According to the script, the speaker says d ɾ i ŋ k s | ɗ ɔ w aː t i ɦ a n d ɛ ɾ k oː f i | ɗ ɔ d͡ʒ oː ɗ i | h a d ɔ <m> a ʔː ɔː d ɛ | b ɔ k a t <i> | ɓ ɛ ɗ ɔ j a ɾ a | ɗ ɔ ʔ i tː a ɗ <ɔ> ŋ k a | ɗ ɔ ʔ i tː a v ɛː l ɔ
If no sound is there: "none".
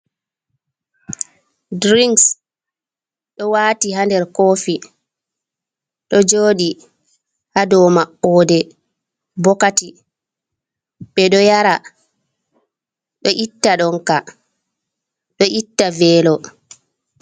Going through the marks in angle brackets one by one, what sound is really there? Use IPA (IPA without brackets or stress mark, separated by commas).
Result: m, i, ɔ